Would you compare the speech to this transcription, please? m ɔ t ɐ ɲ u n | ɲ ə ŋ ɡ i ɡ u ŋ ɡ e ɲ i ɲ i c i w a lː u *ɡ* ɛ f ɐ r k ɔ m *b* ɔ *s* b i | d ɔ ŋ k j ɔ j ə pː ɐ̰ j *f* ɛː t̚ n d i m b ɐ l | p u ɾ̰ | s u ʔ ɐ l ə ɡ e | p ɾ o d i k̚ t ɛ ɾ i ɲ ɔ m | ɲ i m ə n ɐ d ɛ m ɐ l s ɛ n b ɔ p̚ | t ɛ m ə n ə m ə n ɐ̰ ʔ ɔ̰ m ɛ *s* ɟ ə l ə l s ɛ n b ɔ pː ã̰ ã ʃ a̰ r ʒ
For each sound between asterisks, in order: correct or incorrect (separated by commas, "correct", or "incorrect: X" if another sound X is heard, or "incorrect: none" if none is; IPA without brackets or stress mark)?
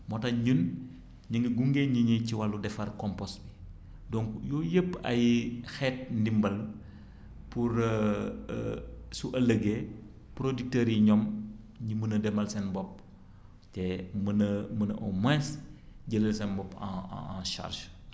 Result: incorrect: d, incorrect: p, correct, incorrect: x, correct